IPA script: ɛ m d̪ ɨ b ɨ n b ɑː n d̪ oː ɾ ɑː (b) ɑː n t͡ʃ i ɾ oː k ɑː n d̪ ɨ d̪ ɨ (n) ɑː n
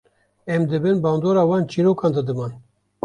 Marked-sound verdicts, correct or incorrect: incorrect: w, incorrect: m

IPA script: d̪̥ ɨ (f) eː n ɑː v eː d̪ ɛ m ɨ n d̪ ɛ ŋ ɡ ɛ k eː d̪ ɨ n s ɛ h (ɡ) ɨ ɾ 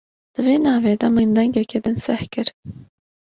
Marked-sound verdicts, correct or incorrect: incorrect: v, incorrect: k

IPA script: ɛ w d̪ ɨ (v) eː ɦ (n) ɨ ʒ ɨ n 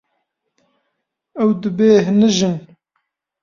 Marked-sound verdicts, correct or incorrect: incorrect: b, correct

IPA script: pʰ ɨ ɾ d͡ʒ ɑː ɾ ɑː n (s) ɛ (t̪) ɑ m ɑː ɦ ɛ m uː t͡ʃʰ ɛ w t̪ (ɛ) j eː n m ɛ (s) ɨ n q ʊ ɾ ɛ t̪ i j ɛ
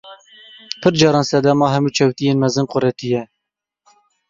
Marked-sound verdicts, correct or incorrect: correct, incorrect: d̪, incorrect: i, incorrect: z

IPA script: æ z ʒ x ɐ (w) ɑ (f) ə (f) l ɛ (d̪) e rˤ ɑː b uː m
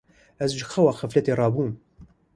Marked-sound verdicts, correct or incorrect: correct, incorrect: x, correct, incorrect: t̪

